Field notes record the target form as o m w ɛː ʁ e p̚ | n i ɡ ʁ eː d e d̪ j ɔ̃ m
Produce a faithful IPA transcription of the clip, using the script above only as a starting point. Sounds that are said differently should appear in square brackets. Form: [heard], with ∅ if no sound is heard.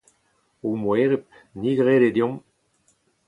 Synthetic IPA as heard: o m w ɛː ʁ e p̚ | n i ɡ ʁ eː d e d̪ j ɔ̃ m